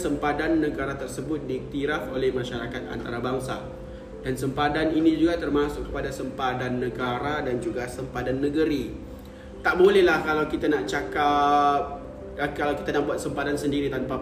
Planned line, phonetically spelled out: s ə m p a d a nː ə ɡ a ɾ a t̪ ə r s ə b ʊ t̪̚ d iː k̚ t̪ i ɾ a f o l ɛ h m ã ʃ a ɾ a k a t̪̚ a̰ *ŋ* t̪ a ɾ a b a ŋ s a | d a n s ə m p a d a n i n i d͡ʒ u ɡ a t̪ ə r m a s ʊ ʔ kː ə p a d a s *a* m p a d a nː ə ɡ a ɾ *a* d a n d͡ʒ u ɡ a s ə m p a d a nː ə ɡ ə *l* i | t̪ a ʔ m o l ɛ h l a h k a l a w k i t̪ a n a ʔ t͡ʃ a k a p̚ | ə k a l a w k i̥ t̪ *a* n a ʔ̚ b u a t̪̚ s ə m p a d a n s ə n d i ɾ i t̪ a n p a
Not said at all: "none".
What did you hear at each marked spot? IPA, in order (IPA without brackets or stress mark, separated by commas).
n, ə, a, ɾ, a